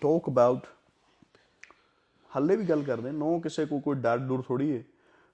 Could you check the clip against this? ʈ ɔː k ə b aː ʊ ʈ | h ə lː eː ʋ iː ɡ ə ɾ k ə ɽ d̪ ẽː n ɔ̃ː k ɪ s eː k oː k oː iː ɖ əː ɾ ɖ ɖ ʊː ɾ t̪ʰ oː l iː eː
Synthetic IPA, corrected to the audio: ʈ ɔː k ə b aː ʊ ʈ | h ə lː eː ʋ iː ɡ ə l k ə ɾ d̪ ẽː n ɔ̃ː k ɪ s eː k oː k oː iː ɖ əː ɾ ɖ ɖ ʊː ɾ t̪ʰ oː ɽ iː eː